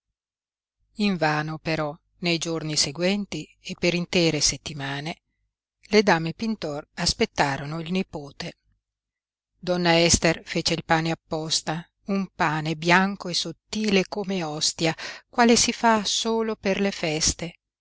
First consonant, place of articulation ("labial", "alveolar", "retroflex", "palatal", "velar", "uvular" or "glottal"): labial